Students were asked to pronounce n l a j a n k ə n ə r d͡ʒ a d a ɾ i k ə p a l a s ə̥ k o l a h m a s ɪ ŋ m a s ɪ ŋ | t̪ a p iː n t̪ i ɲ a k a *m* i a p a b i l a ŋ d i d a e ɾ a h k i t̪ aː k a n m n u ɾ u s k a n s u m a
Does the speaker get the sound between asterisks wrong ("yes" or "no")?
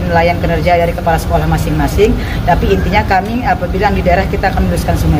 no